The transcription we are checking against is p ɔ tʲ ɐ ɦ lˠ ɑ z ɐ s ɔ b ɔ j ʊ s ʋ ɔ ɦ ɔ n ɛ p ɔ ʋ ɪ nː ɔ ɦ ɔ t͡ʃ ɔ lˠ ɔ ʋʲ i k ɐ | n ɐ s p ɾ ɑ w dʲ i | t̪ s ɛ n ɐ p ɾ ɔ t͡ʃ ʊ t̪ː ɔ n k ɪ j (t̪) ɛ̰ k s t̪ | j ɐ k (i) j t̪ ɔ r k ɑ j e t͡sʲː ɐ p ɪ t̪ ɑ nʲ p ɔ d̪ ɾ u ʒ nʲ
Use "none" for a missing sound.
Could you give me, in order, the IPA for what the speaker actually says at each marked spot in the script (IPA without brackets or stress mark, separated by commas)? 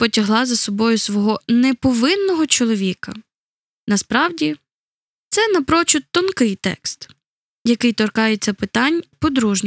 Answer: t̪, ɪ